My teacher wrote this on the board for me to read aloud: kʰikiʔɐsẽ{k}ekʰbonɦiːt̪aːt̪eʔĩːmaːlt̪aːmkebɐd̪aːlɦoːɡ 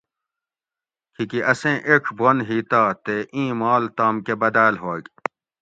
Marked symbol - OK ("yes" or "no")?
no